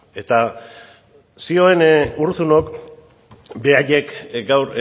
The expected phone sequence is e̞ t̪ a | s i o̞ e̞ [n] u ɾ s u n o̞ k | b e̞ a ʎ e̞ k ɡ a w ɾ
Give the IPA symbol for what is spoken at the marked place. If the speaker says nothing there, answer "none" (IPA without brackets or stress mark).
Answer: n